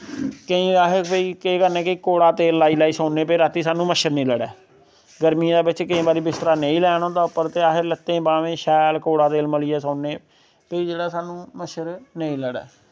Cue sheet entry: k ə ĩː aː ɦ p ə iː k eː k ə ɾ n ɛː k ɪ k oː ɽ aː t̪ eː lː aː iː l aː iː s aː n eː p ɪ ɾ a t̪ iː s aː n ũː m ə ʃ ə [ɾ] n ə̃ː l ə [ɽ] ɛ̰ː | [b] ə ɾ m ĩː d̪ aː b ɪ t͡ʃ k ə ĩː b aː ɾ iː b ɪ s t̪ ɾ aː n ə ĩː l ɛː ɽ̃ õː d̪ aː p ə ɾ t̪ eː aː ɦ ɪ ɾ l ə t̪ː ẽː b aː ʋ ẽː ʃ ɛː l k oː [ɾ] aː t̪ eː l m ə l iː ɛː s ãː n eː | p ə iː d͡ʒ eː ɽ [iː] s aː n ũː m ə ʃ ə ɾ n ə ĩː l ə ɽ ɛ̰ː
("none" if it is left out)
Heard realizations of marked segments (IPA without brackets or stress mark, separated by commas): ɾ, ɽ, ɡ, ɽ, aː